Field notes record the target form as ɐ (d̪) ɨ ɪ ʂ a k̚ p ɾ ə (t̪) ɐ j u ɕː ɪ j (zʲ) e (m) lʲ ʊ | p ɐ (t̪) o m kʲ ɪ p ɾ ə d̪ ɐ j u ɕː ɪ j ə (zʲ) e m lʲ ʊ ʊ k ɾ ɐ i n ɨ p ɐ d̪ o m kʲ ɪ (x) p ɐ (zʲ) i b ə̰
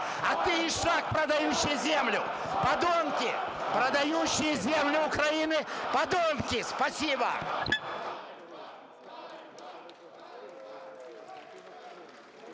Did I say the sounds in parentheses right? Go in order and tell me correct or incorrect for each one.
incorrect: t̪, incorrect: d̪, correct, correct, incorrect: d̪, correct, incorrect: s, incorrect: sʲ

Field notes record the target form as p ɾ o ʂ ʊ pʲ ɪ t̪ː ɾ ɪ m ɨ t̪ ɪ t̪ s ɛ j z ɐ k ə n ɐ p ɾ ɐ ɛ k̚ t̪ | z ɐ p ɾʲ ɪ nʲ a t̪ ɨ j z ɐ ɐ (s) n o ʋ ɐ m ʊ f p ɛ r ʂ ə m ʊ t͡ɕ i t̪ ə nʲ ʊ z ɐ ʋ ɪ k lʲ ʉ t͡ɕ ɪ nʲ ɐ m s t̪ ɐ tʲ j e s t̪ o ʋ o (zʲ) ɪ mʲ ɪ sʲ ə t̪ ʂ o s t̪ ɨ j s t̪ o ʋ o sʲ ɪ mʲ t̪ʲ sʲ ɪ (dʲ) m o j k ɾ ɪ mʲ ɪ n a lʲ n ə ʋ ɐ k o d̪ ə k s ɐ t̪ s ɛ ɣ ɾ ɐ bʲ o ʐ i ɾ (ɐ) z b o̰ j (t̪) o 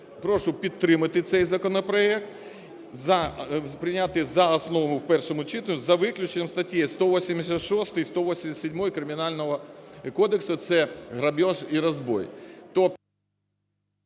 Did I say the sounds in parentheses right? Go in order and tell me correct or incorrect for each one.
correct, incorrect: sʲ, correct, correct, correct

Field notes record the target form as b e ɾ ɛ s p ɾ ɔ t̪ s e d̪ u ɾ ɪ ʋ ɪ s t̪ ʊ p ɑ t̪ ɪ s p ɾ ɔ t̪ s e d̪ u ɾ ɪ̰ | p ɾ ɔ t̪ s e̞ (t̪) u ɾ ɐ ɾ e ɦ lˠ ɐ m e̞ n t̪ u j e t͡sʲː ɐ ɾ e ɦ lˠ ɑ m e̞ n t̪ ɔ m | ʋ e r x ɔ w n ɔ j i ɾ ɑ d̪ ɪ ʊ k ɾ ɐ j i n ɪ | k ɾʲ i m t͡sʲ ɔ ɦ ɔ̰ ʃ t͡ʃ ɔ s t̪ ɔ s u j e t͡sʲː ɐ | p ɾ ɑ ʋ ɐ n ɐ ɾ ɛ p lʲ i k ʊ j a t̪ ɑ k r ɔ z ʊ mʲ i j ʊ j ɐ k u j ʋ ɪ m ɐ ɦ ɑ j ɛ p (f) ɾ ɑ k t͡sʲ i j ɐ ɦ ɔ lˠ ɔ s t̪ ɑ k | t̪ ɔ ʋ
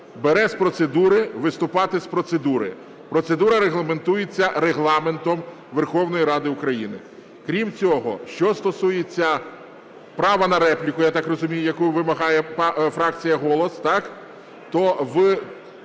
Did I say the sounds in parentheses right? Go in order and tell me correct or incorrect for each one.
incorrect: d̪, correct

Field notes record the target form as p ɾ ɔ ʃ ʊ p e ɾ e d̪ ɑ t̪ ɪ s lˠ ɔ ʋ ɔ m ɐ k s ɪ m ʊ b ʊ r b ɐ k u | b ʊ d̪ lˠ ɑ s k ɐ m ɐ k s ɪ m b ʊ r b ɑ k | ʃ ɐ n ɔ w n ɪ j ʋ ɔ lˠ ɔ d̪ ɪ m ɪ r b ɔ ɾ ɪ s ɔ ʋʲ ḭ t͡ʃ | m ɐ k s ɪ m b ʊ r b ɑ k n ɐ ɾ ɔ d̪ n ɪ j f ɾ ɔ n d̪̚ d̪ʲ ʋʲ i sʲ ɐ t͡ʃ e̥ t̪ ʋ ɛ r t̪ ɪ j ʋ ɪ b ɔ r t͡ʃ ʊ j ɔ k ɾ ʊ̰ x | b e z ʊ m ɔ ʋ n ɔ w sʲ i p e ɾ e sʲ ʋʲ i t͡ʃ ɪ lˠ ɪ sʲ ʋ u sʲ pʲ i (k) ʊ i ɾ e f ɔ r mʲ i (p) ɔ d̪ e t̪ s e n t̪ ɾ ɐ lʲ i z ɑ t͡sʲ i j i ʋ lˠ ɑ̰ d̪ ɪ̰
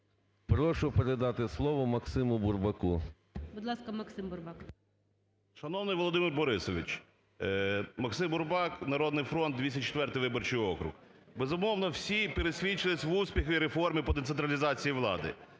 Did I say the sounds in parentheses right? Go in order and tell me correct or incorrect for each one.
incorrect: x, correct

